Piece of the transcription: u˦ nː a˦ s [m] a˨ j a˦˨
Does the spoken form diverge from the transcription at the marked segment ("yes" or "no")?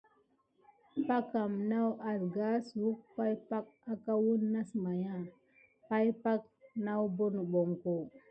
no